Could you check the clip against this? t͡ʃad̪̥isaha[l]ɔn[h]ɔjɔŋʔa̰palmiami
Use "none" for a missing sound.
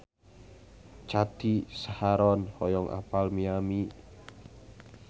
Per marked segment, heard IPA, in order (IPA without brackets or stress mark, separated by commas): ɾ, h